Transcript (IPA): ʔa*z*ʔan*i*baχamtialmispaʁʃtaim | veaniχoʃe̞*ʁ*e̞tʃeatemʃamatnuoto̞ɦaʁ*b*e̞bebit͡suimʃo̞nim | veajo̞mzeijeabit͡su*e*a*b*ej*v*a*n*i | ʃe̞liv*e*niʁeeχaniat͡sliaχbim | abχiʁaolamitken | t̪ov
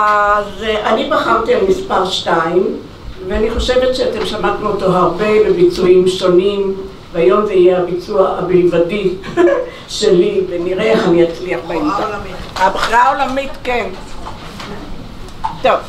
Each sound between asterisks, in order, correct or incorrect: correct, correct, incorrect: v, correct, incorrect: a, correct, correct, incorrect: d, correct

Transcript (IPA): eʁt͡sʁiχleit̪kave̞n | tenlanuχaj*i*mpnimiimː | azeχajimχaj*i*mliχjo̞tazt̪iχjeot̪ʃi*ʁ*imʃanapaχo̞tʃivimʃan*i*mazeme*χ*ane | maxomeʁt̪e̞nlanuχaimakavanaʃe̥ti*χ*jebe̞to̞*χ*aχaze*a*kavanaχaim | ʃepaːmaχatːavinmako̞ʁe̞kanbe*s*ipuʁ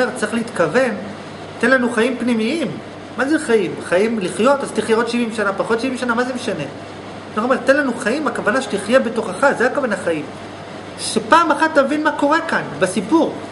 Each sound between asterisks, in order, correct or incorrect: correct, correct, incorrect: v, incorrect: a, incorrect: ʃ, correct, correct, correct, correct

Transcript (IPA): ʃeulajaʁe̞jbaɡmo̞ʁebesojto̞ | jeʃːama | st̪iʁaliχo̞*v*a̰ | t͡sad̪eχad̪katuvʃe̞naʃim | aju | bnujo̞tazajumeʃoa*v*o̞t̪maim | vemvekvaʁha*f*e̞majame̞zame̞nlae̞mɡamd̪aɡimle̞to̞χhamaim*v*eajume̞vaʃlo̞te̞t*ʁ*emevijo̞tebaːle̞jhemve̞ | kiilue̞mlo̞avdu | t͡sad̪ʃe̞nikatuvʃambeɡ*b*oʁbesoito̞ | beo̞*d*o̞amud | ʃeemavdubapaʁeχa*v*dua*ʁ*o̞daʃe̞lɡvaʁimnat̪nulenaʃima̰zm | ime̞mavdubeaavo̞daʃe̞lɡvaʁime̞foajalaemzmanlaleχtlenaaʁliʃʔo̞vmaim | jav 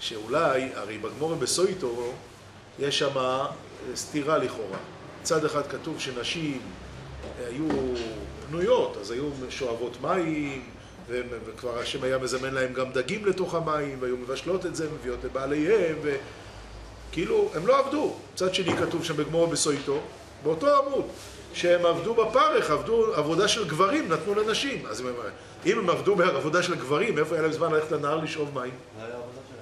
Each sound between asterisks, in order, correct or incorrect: incorrect: ʁ, correct, incorrect: ʃ, correct, incorrect: z, incorrect: m, incorrect: t, correct, incorrect: v

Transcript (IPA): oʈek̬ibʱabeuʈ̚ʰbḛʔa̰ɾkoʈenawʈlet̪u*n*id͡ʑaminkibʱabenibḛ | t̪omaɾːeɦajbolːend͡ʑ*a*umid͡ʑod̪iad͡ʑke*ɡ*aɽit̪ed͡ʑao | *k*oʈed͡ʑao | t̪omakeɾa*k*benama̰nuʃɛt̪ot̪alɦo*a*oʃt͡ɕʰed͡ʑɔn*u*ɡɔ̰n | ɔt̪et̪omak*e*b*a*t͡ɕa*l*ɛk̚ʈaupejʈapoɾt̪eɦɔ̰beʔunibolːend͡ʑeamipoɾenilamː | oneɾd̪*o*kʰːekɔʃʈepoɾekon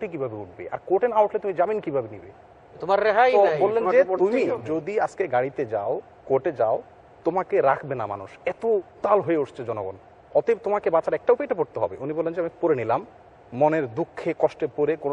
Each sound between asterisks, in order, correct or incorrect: incorrect: m, incorrect: e, correct, correct, incorrect: kʰ, incorrect: e, incorrect: o, correct, correct, incorrect: ɾ, incorrect: u

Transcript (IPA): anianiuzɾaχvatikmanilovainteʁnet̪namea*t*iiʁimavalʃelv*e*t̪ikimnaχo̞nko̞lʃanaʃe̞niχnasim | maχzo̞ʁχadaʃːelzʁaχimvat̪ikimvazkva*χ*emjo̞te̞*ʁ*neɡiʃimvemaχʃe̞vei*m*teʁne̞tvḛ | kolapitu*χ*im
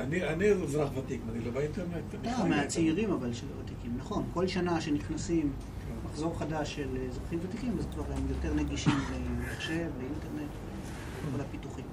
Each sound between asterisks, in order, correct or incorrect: incorrect: t͡s, incorrect: a, incorrect: ʁ, correct, incorrect: n, correct

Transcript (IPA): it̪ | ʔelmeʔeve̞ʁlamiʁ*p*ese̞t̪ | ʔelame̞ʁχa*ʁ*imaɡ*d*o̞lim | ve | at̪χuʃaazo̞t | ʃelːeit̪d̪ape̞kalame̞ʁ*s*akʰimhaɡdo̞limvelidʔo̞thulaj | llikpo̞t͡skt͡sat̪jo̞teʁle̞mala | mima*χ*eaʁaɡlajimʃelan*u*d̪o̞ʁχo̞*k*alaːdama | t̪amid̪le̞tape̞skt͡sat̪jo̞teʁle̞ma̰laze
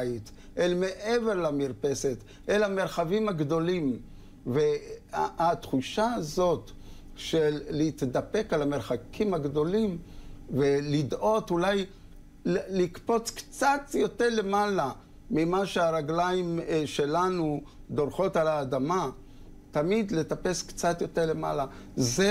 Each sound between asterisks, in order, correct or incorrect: correct, incorrect: v, correct, incorrect: χ, incorrect: ʃ, correct, incorrect: t

